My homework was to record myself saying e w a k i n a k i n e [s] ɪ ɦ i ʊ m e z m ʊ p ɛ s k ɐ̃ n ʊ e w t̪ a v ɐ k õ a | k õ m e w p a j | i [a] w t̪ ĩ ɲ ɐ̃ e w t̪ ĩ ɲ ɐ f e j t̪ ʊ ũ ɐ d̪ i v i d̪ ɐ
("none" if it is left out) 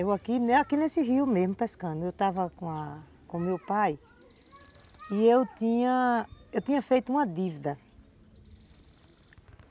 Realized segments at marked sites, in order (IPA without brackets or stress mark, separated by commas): s, e